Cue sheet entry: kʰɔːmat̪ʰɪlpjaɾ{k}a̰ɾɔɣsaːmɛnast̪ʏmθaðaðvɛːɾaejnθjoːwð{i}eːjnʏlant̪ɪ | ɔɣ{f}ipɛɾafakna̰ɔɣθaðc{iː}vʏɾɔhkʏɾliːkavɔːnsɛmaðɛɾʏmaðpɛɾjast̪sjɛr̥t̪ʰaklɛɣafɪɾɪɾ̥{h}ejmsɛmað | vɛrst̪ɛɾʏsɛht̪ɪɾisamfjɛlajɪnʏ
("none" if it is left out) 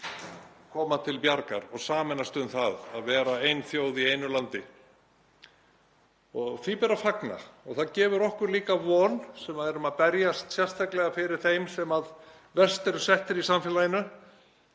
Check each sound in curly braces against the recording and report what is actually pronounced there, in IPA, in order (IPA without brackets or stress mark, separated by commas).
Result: k, i, θ, ɛː, θ